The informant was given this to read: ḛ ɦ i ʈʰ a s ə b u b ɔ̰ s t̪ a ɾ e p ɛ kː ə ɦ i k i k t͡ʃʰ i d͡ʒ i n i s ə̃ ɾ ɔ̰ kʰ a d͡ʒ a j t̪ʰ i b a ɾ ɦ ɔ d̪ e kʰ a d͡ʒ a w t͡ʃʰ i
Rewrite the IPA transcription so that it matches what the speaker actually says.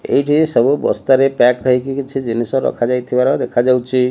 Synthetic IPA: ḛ ɦ i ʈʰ i s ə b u b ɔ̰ s t̪ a ɾ e p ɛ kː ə ɦ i k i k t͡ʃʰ i d͡ʒ i n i s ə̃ ɾ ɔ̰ kʰ a d͡ʒ a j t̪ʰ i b a ɾ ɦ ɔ d̪ e kʰ a d͡ʒ a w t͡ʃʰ i